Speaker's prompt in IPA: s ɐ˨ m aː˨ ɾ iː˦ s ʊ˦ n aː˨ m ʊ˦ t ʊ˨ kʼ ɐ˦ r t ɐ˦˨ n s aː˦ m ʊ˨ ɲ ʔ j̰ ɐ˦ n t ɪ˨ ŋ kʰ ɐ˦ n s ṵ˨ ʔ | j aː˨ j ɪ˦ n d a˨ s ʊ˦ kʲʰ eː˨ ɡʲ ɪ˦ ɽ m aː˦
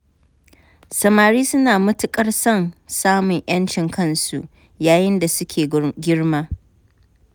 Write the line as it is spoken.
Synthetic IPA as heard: s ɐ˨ m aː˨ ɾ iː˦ s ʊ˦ n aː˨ m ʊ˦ t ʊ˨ kʼ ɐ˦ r s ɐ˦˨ n s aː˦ m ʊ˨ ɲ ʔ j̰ ɐ˦ n t͡ʃ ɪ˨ ŋ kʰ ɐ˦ n s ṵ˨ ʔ | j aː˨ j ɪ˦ n d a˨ s ʊ˦ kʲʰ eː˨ ɡʲ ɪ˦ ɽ m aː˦